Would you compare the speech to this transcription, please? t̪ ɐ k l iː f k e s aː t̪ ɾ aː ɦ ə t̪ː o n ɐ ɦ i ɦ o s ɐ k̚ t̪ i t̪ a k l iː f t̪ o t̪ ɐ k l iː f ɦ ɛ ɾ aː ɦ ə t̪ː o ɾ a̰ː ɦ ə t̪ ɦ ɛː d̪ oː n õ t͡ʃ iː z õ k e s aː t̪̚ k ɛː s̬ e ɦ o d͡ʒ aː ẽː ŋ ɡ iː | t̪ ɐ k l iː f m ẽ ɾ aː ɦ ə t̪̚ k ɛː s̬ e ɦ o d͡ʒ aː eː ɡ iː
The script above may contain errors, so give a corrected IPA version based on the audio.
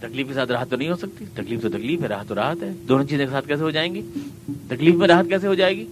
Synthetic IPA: t̪ ɐ k l iː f k e s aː t̪ ɾ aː ɦ ə t̪ː o n ɐ ɦ ĩ ɦ o s ɐ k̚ t̪ i t̪ ɐ k l iː f t̪ o t̪ ɐ k l iː f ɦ ɛ ɾ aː ɦ ə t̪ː o ɾ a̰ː ɦ ə t̪ ɦ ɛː d̪ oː n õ t͡ʃ iː z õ k e s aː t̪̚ k ɛː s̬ e ɦ o d͡ʒ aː ẽː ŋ ɡ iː | t̪ ɐ k l iː f m ẽ ɾ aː ɦ ə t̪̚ k ɛː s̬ e ɦ o d͡ʒ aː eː ɡ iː